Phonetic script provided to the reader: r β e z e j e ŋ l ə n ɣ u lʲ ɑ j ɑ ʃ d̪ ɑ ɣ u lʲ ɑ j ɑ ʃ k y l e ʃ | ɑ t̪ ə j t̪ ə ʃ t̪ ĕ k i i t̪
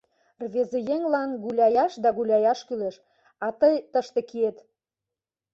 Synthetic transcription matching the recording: r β e z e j e ŋ l ɑ n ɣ u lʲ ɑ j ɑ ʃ d̪ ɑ ɣ u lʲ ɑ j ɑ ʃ k y l e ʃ | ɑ t̪ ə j t̪ ə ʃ t̪ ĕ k i e t̪